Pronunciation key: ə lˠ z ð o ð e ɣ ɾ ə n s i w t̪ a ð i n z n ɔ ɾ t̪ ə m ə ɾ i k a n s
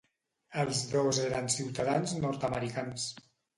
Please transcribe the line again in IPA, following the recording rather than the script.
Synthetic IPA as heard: ə lˠ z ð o z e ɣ ɾ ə n s i w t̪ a ð a n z n ɔ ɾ t̪ ə m ə ɾ i k a n s